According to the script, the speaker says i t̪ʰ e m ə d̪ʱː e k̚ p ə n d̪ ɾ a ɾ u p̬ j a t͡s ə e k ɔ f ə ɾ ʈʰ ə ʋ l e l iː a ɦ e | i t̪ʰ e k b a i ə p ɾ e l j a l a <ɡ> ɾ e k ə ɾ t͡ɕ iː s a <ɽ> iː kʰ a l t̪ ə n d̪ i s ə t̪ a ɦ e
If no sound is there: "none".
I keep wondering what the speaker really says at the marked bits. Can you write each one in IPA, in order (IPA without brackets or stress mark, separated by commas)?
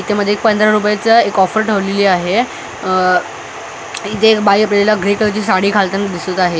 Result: ɡ, ɽ